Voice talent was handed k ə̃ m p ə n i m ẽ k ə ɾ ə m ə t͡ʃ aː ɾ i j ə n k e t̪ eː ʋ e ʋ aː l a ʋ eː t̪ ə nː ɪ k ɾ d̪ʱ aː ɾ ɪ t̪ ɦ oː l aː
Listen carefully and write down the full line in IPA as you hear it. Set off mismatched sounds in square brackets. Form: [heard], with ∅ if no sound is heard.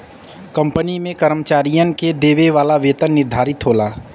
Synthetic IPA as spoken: k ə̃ m p ə n i m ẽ k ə ɾ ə m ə t͡ʃ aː ɾ i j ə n k e [d̪] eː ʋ e ʋ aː l a ʋ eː t̪ ə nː ɪ [∅] ɾ d̪ʱ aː ɾ ɪ t̪ ɦ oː l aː